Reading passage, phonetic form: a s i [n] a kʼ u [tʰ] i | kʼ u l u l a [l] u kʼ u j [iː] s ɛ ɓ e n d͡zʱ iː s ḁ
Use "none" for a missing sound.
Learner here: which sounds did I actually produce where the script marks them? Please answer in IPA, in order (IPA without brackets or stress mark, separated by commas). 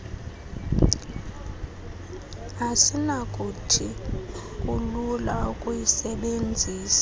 n, tʰ, none, i